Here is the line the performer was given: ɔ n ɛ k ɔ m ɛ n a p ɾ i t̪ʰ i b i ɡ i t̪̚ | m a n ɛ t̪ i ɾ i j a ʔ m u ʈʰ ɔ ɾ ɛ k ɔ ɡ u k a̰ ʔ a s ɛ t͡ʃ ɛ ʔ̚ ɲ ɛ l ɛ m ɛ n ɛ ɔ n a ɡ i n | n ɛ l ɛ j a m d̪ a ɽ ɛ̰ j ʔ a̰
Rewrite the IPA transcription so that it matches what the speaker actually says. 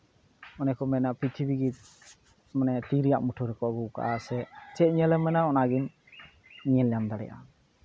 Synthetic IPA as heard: ɔ n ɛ k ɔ m ɛ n a p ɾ i t̪ʰ i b i ɡ i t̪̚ | m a n ɛ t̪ i ɾ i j a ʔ m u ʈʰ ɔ ɾ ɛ k ɔ ɡ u k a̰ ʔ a s ɛ t͡ʃ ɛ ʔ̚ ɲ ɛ l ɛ m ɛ n a ɔ n a ɡ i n | ɲ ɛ l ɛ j a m d̪ a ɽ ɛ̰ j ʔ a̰